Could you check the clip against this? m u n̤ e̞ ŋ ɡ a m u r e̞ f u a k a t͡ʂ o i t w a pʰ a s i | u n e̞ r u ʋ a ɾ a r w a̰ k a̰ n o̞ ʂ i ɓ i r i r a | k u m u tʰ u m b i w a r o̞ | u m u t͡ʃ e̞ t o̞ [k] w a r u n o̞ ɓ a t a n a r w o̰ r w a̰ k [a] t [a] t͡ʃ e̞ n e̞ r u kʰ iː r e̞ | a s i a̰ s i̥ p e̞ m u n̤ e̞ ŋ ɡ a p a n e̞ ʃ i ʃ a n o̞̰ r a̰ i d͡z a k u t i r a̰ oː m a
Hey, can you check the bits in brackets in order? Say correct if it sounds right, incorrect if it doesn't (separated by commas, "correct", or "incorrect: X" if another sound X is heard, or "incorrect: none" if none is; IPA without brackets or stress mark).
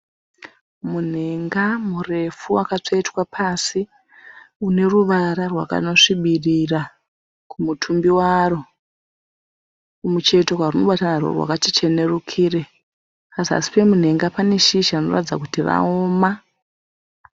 correct, correct, incorrect: i